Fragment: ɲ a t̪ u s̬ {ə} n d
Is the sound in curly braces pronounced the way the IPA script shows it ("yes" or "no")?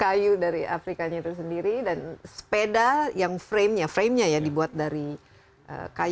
yes